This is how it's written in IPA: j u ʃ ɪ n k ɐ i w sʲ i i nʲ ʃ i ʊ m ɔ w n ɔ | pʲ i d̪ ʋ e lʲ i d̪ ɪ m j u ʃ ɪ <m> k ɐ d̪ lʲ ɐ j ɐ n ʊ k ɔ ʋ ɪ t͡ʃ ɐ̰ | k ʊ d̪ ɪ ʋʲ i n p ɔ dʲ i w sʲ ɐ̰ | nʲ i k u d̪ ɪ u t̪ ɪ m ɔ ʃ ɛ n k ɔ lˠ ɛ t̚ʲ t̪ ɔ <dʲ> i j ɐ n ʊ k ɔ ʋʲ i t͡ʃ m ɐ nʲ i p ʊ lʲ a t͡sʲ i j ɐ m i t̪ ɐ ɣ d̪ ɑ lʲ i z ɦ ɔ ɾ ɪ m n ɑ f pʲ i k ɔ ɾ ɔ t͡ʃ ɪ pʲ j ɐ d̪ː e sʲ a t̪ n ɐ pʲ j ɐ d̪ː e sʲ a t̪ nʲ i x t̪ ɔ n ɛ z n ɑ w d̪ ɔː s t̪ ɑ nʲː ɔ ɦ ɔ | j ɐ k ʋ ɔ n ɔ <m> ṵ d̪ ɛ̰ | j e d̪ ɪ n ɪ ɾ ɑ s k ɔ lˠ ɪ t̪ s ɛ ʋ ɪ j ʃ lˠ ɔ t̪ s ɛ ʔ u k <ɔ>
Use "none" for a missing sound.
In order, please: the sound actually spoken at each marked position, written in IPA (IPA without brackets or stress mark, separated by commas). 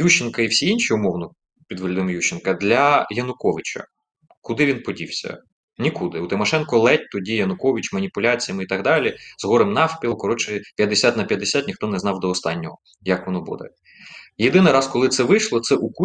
n, dʲ, b, u